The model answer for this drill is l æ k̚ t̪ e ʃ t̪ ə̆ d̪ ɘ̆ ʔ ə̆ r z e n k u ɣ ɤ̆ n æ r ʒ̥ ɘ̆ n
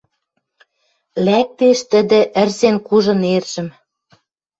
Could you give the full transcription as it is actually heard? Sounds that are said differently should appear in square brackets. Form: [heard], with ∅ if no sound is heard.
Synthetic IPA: l æ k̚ t̪ e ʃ t̪ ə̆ d̪ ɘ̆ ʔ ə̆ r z e n k u [ʒ] ɤ̆ n [e] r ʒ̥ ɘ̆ [m]